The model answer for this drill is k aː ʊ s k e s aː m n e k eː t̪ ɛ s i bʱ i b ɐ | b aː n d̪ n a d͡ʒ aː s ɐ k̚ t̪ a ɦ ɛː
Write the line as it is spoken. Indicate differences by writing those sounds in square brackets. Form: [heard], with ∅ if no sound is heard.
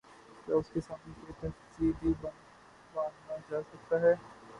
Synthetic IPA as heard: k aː ʊ s k e s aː m n e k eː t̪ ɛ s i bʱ i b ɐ | b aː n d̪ n a d͡ʒ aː s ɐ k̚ t̪ a ɦ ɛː